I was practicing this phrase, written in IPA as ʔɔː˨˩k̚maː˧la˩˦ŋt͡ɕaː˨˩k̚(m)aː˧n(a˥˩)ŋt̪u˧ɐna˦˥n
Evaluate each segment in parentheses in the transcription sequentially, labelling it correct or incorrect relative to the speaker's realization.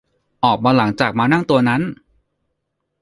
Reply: correct, correct

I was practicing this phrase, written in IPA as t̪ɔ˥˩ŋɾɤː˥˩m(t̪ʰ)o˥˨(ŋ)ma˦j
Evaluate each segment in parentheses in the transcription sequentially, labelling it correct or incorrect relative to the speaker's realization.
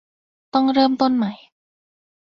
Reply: incorrect: t̪, incorrect: n

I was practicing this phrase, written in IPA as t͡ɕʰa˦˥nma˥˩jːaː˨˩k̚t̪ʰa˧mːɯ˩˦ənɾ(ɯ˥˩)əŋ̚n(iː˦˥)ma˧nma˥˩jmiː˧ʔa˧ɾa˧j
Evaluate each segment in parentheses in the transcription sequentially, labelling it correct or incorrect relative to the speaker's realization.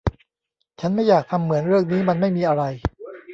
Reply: correct, correct

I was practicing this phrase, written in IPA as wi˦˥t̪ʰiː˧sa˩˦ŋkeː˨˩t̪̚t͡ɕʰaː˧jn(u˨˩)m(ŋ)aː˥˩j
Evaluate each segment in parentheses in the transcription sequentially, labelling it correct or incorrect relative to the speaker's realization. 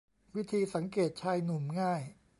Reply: correct, correct

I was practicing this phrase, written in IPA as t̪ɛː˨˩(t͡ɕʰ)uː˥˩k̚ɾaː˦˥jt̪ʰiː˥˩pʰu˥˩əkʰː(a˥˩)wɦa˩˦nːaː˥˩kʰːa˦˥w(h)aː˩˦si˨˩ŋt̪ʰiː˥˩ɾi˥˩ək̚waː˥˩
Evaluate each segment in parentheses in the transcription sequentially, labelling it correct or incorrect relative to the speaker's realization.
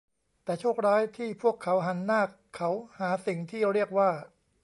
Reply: correct, incorrect: a˩˦˥, correct

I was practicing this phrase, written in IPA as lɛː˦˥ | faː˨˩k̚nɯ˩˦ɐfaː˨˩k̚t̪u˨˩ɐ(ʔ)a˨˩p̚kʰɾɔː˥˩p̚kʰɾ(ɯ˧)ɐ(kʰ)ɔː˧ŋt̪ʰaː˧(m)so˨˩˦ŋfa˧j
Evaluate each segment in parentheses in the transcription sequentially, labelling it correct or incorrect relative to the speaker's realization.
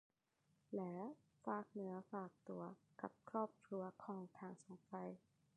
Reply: incorrect: k, incorrect: u˧, correct, incorrect: ŋ

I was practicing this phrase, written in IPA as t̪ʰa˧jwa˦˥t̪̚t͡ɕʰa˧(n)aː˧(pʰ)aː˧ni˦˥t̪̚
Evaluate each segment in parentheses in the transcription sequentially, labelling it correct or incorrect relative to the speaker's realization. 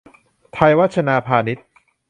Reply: correct, correct

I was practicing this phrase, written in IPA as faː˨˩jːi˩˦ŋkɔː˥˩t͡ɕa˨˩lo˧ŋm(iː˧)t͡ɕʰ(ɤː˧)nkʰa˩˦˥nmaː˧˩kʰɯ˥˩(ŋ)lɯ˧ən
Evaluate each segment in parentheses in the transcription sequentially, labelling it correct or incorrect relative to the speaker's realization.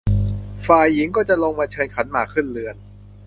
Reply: incorrect: aː˧, correct, incorrect: n

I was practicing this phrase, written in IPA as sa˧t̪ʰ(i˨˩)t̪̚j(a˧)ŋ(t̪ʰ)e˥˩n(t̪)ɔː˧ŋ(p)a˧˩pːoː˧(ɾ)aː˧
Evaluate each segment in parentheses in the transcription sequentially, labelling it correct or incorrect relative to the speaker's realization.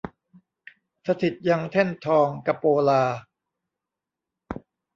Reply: correct, correct, correct, incorrect: t̪ʰ, incorrect: k, incorrect: l

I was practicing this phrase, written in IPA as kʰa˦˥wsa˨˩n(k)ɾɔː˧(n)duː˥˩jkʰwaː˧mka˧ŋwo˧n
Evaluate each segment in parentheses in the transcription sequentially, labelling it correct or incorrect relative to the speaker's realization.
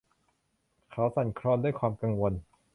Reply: incorrect: kʰ, correct

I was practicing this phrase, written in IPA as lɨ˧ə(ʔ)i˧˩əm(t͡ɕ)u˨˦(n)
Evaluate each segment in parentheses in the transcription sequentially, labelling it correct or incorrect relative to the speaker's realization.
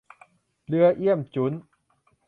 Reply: correct, correct, correct

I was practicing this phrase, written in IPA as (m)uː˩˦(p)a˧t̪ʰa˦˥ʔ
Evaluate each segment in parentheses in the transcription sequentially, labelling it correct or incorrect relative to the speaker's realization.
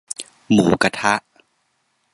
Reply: correct, incorrect: k

